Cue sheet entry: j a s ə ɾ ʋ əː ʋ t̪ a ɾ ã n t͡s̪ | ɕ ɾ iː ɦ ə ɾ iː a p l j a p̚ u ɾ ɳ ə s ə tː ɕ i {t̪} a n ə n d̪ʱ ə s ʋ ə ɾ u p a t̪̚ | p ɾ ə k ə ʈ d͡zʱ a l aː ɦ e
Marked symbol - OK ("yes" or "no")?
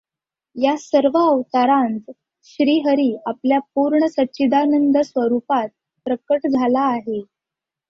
no